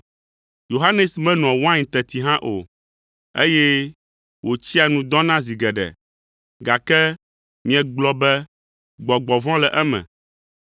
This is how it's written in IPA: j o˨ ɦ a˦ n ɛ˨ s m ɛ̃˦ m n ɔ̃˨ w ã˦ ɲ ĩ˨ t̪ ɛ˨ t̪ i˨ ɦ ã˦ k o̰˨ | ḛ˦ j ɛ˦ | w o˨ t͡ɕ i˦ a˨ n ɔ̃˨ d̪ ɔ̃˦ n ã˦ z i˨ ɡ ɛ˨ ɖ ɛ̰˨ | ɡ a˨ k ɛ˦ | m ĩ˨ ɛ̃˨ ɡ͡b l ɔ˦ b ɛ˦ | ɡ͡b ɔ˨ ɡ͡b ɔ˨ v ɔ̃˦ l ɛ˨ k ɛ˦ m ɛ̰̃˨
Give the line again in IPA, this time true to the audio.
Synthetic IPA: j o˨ ɦ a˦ n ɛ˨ s m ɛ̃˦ n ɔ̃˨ w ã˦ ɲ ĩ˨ t̪ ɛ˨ t̪ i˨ ɦ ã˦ ʔ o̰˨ | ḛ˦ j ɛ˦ | w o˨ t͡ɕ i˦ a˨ n ũ˨ d̪ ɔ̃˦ n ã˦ z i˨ ɡ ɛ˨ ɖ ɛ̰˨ | ɡ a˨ k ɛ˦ | m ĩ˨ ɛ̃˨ ɡ͡b l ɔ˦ b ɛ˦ | ɡ͡b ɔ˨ ɡ͡b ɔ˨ v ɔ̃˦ l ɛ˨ ʔ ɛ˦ m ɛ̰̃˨